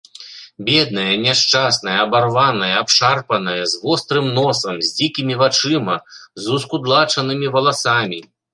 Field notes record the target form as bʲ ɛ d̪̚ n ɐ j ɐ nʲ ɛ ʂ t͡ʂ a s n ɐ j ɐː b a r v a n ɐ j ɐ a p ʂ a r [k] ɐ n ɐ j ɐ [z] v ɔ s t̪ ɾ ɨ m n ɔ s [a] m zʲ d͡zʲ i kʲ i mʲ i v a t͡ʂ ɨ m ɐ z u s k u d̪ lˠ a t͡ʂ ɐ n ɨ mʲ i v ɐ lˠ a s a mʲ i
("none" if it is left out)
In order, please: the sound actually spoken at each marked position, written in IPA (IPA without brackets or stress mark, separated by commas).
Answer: p, z, ɐ